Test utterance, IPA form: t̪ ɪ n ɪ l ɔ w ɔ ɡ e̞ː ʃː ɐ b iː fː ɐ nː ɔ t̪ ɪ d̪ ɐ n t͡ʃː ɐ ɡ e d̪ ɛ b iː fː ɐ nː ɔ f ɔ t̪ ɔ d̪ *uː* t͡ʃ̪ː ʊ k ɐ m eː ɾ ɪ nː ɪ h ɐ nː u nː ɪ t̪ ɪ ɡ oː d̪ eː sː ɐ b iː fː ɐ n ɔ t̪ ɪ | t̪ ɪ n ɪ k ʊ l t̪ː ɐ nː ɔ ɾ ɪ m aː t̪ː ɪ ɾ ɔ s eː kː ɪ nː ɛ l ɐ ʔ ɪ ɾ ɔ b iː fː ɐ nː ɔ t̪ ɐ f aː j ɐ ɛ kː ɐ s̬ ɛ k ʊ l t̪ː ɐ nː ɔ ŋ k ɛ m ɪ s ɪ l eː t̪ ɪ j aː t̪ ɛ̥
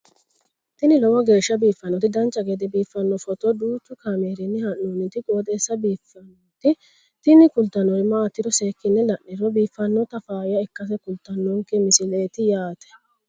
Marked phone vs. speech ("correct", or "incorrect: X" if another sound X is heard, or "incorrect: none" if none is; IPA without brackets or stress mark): correct